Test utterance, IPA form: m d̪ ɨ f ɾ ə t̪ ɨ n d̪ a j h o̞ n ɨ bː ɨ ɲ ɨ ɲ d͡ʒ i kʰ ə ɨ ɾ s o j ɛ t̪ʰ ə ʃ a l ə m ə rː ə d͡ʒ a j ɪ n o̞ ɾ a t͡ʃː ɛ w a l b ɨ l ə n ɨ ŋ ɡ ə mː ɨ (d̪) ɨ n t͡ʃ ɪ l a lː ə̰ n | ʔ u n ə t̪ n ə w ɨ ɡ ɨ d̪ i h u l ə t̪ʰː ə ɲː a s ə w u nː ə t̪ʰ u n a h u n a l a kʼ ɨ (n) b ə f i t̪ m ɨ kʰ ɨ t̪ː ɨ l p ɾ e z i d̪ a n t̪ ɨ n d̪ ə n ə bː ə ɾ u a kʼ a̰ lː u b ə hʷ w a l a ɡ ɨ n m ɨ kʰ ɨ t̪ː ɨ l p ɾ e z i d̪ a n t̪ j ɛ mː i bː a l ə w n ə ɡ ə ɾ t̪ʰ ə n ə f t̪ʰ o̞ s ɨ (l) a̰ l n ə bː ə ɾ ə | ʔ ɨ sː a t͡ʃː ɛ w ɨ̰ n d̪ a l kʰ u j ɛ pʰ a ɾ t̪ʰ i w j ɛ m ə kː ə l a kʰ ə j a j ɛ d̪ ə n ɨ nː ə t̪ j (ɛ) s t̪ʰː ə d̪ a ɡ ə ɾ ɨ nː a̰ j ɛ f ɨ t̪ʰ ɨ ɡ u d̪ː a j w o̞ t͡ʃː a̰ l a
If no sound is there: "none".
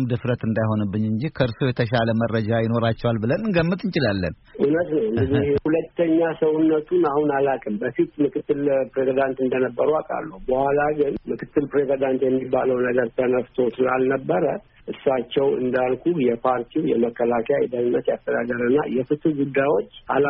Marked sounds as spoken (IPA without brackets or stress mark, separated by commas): t̪, m, l, a